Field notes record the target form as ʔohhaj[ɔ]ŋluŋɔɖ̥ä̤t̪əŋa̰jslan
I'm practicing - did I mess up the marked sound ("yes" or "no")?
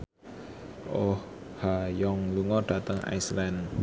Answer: no